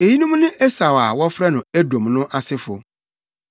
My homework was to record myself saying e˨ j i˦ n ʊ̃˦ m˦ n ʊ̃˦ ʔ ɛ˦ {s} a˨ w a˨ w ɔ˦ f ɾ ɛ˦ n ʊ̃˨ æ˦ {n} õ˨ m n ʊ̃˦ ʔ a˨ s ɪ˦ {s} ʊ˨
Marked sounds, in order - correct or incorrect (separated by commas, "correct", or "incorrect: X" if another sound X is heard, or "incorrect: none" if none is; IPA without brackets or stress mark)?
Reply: correct, incorrect: d, incorrect: f